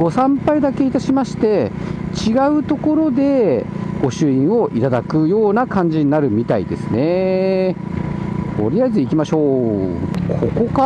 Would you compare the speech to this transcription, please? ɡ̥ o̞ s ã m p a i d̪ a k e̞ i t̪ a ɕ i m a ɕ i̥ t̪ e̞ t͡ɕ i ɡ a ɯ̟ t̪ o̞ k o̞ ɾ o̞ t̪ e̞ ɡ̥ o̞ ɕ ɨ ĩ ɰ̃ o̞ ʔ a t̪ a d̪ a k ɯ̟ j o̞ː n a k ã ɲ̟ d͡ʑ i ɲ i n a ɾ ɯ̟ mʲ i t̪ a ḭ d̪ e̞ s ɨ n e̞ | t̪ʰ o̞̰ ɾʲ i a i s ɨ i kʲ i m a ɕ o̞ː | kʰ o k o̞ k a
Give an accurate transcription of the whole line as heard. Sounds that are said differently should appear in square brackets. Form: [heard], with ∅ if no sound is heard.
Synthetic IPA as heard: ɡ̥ o̞ s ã m p a i d̪ a k e̞ i t̪ a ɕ i m a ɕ i̥ t̪ e̞ t͡ɕ i ɡ a ɯ̟ t̪ o̞ k o̞ ɾ o̞ [d̪] e̞ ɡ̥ o̞ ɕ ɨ ĩ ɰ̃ o̞ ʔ [i] t̪ a d̪ a k ɯ̟ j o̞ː n a k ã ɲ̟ d͡ʑ i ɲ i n a ɾ ɯ̟ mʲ i t̪ a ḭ d̪ e̞ s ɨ n e̞ | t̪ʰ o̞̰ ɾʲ i a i [z] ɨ i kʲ i m a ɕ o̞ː | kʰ o k o̞ k a